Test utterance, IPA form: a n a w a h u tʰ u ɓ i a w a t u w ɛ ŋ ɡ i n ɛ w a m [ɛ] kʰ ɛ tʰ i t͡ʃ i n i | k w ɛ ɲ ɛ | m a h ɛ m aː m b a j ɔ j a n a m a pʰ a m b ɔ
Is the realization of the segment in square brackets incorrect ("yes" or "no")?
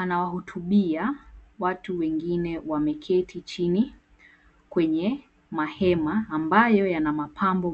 no